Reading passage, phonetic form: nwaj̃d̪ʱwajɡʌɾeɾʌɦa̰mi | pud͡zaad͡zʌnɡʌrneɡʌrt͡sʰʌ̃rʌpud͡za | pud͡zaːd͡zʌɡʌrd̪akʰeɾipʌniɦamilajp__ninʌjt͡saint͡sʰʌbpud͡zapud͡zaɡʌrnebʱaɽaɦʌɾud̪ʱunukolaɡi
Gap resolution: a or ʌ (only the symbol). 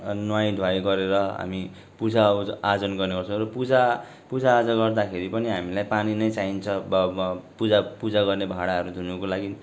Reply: a